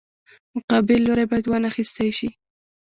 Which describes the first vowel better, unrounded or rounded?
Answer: rounded